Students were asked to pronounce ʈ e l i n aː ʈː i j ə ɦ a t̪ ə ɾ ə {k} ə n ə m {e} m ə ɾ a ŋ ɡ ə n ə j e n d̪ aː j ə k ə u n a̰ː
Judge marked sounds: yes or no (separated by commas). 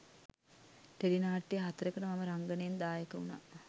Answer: yes, no